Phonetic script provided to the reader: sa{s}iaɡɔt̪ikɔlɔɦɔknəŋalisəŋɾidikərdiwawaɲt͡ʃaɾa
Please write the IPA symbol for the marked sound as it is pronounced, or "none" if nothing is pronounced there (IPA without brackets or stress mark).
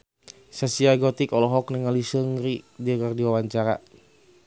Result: s